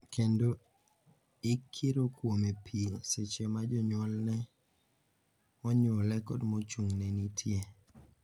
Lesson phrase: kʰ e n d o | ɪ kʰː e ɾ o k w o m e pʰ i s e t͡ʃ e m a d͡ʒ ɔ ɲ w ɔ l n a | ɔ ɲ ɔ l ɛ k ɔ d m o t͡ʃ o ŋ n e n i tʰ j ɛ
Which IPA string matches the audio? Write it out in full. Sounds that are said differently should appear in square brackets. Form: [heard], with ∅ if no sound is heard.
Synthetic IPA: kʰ e n d o | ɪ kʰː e ɾ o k w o m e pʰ i s e t͡ʃ e m a d͡ʒ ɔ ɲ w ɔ l n [ɛ] | ɔ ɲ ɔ l ɛ k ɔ d m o t͡ʃ [u] ŋ n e n i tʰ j [e]